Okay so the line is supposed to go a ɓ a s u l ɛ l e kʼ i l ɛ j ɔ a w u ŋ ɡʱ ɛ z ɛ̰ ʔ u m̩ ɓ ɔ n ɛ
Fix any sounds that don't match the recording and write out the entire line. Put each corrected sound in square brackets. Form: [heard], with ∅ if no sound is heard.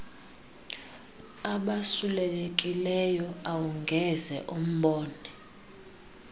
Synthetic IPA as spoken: a ɓ a s u l ɛ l e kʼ i l ɛ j ɔ a w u ŋ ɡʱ ɛ z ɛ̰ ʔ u m̩ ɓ [ɔː] n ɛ